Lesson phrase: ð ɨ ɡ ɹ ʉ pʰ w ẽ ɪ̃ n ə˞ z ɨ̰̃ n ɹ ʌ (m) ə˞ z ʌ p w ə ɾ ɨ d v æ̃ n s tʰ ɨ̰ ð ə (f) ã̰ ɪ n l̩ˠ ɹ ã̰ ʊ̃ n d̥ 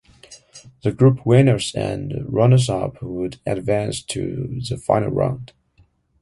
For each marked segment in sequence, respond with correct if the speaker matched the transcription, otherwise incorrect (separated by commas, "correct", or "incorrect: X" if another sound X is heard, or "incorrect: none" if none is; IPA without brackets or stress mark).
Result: incorrect: n, correct